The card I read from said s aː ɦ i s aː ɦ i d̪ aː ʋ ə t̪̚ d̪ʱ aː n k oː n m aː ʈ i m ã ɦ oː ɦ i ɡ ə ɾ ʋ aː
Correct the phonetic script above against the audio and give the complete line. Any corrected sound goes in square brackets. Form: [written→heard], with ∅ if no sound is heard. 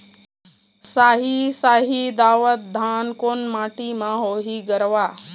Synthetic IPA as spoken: s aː ɦ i s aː ɦ i d̪ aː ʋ ə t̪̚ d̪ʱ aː n k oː n m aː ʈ i m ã ɦ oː ɦ i ɡ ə ɾ ʋ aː